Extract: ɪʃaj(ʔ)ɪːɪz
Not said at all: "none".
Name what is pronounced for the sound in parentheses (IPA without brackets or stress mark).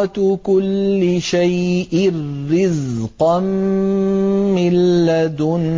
ʔ